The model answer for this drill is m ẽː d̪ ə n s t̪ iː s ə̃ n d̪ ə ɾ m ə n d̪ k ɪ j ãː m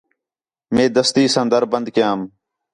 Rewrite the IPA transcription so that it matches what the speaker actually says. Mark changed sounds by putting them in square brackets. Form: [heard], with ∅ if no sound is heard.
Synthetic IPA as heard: m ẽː d̪ ə [∅] s t̪ iː s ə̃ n d̪ ə ɾ [b] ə n d̪ k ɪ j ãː m